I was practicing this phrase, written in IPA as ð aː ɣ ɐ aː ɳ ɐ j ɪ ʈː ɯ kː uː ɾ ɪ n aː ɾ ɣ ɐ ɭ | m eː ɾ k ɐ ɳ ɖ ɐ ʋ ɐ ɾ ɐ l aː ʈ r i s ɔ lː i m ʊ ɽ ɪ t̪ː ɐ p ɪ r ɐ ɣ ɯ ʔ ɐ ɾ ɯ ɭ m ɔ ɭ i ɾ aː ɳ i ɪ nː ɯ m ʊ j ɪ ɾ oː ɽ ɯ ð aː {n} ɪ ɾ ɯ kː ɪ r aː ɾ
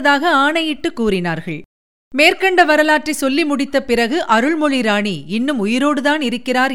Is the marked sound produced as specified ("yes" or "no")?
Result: yes